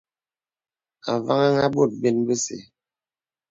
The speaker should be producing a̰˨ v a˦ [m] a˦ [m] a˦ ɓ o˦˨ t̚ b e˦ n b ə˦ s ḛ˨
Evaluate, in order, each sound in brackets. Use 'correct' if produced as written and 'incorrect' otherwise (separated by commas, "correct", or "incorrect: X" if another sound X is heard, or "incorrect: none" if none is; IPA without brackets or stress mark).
incorrect: ŋ, incorrect: ŋ